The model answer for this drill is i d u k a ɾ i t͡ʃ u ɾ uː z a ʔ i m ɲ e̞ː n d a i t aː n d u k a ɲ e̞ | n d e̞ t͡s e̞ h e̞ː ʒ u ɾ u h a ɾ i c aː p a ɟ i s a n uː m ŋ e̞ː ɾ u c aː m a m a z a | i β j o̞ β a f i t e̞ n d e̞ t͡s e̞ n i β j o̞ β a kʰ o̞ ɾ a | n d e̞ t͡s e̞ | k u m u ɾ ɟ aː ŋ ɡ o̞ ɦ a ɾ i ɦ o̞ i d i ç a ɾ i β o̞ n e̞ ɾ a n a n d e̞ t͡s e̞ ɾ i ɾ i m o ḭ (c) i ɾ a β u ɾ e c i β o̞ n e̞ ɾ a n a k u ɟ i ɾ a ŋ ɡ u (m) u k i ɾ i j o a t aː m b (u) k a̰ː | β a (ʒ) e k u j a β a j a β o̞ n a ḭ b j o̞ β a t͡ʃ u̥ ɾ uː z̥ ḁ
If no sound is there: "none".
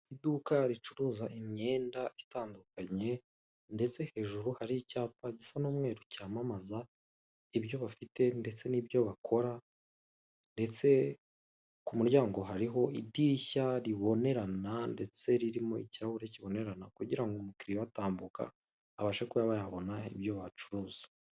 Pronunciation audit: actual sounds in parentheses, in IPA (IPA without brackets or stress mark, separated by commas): c, m, u, ʃ